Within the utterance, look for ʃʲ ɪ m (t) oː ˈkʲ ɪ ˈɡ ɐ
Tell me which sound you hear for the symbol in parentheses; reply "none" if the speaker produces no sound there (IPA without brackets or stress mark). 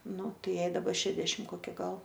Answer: k